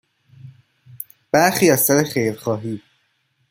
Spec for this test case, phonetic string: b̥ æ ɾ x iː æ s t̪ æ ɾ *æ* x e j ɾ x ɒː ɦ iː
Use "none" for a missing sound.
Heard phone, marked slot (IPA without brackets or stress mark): e